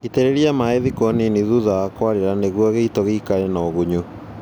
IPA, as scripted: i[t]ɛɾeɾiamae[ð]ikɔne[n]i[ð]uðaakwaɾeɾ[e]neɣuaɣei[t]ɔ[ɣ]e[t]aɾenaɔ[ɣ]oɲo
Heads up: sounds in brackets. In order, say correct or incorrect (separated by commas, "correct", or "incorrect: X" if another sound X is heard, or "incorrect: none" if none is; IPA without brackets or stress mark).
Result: correct, correct, correct, correct, incorrect: a, correct, correct, incorrect: k, correct